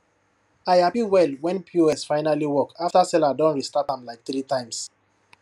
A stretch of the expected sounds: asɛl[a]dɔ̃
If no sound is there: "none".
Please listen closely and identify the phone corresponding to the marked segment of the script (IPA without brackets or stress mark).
a